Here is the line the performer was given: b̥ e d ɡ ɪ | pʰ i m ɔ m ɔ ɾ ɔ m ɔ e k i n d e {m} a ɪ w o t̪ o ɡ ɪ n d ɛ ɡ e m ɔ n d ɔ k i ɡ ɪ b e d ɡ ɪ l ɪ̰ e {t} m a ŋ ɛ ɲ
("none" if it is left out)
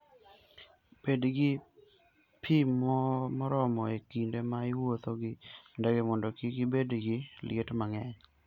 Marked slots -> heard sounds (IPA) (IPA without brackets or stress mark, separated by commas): m, t